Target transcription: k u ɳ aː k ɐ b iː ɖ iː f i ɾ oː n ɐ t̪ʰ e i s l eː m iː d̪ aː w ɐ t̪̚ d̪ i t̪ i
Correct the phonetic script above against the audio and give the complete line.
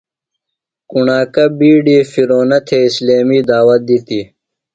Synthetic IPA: k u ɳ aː k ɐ b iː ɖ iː f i ɾ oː n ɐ t̪ʰ e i s l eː m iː d̪ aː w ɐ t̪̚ d̪ i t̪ i